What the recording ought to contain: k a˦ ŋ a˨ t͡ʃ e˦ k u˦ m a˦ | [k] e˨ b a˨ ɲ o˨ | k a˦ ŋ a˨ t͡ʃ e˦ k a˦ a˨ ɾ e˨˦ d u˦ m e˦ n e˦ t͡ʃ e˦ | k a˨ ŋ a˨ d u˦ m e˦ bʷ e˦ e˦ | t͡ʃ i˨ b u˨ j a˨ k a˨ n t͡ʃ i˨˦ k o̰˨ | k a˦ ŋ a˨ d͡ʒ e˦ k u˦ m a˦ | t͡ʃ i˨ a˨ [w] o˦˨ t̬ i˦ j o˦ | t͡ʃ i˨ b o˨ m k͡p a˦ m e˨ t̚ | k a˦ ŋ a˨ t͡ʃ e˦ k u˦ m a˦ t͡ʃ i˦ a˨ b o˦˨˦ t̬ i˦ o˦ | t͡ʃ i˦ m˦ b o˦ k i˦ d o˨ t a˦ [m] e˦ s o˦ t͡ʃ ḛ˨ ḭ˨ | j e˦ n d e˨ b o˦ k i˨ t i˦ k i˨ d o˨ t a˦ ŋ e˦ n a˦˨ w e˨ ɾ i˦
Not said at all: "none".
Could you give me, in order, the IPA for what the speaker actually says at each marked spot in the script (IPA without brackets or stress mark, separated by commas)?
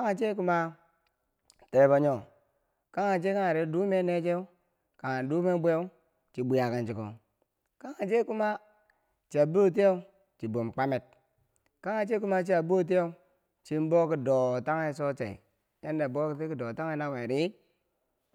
t, b, ŋ